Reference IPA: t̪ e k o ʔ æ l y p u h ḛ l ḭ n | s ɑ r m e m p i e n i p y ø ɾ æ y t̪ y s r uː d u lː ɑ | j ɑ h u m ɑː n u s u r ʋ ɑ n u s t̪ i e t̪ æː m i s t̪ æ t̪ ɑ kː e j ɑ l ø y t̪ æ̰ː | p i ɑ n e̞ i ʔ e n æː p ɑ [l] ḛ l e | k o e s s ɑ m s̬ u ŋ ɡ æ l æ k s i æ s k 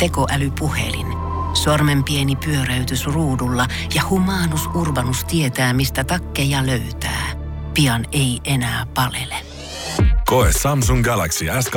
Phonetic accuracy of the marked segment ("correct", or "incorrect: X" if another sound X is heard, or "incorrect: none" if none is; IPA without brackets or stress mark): correct